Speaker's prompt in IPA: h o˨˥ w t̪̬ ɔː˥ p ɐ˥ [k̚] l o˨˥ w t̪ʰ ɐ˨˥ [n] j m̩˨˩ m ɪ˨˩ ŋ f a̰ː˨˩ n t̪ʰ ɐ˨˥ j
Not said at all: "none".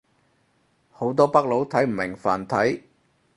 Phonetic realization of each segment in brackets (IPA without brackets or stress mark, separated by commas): k̚, none